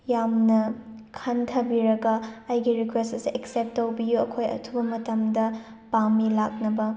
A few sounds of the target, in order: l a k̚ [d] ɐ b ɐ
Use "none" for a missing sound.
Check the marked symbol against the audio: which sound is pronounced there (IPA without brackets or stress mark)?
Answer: n